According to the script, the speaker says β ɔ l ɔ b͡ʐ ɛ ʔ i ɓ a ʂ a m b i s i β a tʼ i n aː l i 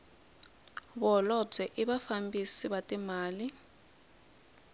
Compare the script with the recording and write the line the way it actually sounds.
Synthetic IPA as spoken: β ɔ l ɔ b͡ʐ ɛ ʔ i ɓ a f a m b i s i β a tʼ i m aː l i